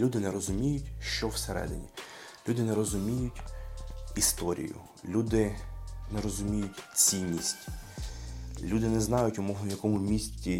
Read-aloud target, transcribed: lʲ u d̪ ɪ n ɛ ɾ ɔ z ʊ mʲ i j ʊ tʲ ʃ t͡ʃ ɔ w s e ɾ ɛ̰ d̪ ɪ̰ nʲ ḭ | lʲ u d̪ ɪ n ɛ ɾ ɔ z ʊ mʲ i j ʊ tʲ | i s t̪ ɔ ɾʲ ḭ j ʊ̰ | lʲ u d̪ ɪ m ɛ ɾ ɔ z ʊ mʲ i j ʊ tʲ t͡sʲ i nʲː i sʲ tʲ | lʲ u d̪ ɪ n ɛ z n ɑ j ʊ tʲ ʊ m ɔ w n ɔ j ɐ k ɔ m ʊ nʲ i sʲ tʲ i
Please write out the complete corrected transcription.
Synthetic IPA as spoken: lʲ u d̪ ɪ n ɛ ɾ ɔ z ʊ mʲ i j ʊ tʲ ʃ t͡ʃ ɔ w s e ɾ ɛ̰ d̪ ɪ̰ nʲ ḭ | lʲ u d̪ ɪ n ɛ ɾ ɔ z ʊ mʲ i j ʊ tʲ | i s t̪ ɔ ɾʲ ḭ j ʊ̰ | lʲ u d̪ ɪ n ɛ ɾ ɔ z ʊ mʲ i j ʊ tʲ t͡sʲ i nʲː i sʲ tʲ | lʲ u d̪ ɪ n ɛ z n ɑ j ʊ tʲ ʊ m ɔ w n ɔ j ɐ k ɔ m ʊ mʲ i sʲ tʲ i